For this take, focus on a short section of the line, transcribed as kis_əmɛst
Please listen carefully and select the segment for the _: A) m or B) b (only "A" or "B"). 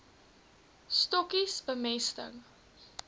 B